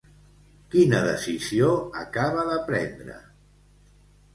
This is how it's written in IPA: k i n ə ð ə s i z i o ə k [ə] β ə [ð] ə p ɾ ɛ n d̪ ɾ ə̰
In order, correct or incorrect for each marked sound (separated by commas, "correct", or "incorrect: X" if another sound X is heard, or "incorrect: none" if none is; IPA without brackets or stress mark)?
incorrect: a, correct